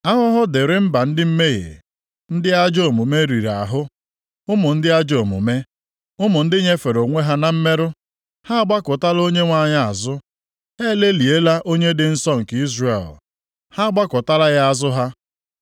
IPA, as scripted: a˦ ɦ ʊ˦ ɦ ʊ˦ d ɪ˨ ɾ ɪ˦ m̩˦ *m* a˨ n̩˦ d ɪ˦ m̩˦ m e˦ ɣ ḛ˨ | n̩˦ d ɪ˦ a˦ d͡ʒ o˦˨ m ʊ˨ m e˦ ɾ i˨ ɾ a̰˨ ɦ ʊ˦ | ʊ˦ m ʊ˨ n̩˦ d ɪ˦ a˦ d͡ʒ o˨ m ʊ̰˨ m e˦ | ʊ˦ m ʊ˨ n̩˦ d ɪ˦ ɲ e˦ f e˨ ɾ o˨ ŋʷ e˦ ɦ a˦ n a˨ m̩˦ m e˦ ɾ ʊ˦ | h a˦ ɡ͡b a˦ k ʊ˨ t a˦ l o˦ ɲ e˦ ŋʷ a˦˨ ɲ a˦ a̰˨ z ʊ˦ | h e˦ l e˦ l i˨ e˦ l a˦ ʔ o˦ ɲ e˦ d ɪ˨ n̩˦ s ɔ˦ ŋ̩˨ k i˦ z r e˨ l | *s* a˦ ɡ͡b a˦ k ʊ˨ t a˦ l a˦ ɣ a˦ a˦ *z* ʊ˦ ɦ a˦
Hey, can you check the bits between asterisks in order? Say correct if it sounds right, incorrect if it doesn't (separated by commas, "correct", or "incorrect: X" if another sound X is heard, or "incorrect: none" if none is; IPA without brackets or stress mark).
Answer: incorrect: b, incorrect: h, correct